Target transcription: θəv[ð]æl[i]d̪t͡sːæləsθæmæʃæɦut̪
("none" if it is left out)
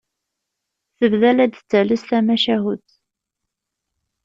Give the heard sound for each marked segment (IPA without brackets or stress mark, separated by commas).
ð, æ